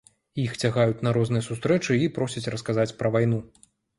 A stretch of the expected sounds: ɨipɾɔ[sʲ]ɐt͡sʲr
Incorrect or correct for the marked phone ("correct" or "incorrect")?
correct